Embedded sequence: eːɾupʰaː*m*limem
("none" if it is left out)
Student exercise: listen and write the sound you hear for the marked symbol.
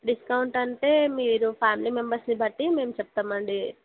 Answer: m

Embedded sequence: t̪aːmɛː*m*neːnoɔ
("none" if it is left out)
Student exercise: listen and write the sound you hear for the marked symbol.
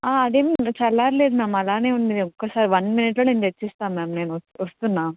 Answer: m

